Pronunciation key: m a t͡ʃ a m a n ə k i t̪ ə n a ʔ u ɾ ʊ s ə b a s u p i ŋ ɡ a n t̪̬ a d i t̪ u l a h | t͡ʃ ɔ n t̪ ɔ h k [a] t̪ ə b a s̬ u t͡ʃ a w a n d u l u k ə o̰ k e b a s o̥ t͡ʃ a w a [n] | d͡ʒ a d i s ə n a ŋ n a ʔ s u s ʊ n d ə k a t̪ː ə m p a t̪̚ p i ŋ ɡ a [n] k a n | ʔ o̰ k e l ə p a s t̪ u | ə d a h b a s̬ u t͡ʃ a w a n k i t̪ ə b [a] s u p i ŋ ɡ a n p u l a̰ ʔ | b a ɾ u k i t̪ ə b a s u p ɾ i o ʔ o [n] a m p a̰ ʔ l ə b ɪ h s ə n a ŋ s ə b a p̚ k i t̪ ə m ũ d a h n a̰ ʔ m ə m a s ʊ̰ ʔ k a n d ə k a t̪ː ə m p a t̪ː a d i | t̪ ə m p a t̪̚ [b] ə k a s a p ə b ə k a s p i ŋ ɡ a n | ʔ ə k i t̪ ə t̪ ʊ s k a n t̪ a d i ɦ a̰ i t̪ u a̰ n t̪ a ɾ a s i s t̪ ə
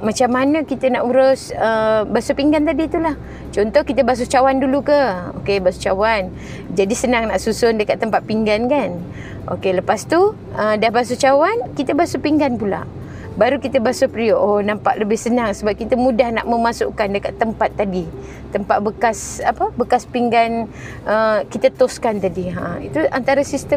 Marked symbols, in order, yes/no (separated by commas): no, yes, yes, yes, yes, yes